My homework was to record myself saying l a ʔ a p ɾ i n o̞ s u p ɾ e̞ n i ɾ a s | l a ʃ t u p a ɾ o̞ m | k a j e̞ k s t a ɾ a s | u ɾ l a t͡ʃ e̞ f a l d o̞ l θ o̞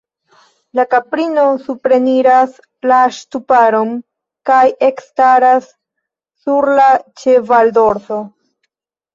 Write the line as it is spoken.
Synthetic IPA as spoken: l a k a p ɾ i n o̞ s u p ɾ e̞ n i ɾ a s | l a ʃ t u p a ɾ o̞ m | k a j e̞ k s t a ɾ a sː | u ɾ l a t͡ʃ e̞ v a l d o̞ ɾ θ o̞

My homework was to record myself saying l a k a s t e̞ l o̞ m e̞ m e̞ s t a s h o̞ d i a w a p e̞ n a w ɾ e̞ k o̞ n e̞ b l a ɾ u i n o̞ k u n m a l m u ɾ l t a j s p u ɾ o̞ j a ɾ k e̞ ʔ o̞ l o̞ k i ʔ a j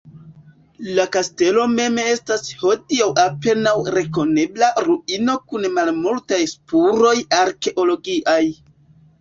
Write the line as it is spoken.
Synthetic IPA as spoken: l a k a s t e̞ l o̞ m e̞ m e̞ s t a s h o̞ d i a w a p e̞ n a w ɾ e̞ k o̞ n e̞ b l a ɾ u i n o̞ k u n m a l m u l t a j s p u ɾ o̞ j a ɾ k e̞ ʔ o̞ l o̞ ɡ i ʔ a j

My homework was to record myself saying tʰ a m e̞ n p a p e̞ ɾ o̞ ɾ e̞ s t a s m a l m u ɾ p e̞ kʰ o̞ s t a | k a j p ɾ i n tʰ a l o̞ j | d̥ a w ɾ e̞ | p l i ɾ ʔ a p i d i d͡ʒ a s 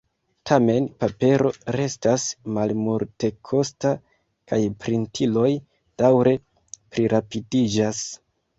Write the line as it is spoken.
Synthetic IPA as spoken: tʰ a m e̞ n p a p e̞ ɾ o̞ ɾ e̞ s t a s m a l m u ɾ t e̞ kʰ o̞ s t a | k a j p ɾ i n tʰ i l o̞ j | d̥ a w ɾ e̞ | p ɾ i ɾ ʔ a p i d i d͡ʒ a s

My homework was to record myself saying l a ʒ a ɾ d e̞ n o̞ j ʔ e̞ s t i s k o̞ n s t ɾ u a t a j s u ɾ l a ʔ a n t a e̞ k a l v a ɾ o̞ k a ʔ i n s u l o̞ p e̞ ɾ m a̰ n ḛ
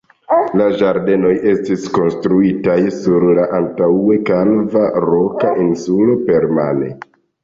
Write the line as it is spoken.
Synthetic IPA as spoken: l a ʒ a ɾ d e̞ n o̞ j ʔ e̞ s t i s k o̞ n s t ɾ u i t a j s u ɾ l a ʔ a n t a e̞ k a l v a ɾ o̞ k a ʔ i n s u l o̞ p e̞ ɾ m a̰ n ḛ

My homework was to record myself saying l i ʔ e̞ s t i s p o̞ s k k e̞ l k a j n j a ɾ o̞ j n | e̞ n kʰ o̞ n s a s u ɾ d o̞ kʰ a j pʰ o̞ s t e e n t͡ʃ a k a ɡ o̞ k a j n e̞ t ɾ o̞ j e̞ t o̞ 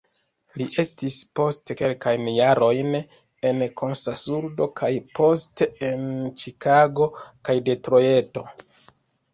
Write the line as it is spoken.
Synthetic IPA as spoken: l i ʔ e̞ s t i s p o̞ s t k e̞ l k a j n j a ɾ o̞ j n | e̞ n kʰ o̞ n s a s u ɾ d o̞ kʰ a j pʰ o̞ s t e e n t͡ʃ i k a ɡ o̞ k a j d e̞ t ɾ o̞ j e̞ t o̞

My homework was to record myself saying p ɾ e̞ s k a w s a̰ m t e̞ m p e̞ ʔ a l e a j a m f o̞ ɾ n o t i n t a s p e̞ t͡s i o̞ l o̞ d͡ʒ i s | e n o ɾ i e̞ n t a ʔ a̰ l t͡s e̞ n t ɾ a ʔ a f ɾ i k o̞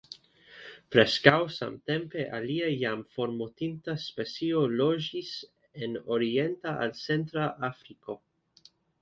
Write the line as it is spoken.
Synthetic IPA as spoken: p ɾ e̞ s k a w s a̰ m t e̞ m p e̞ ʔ a l i a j a m f o̞ ɾ m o t i n t a s p e̞ t͡s i o̞ l o̞ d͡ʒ i s | e n o ɾ i e̞ n t a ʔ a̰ l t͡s e̞ n t ɾ a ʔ a f ɾ i k o̞

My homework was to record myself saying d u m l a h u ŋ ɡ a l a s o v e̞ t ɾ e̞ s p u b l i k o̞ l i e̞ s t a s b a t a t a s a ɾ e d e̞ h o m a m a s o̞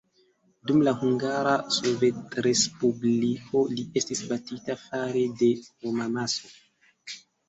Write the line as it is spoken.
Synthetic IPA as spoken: d u m l a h u ŋ ɡ a ɾ a s o v e̞ t ɾ e̞ s p u b l i k o̞ l i e̞ s t i s b a t i t a f a ɾ e d e̞ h o m a m a s o̞

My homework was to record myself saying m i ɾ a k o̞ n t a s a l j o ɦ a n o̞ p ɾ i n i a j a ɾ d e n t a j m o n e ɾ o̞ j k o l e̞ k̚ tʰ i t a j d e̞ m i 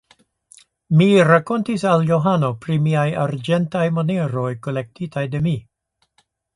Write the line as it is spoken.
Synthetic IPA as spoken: m i ɾ a k o̞ n t i s a l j o ɦ a n o̞ p ɾ i m i a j a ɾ d͡ʒ e n t a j m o n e ɾ o̞ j k o l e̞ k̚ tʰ i t a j d e̞ m i

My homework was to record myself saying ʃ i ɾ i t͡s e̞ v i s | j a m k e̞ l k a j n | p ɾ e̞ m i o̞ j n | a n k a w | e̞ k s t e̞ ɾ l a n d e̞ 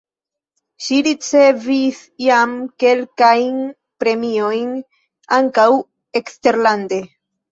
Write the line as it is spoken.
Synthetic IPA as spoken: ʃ i ɾ i t͡s e̞ v i s | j a m k e̞ l k a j n | p ɾ e̞ m i o̞ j n | a ŋ k a w | e̞ k s t e̞ ɾ l a n d e̞

